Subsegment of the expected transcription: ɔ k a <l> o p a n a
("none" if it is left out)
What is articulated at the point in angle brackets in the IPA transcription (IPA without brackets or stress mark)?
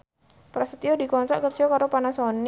ɾ